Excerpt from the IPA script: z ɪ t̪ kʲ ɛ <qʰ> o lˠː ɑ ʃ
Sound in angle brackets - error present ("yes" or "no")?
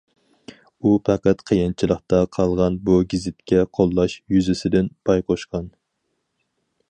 no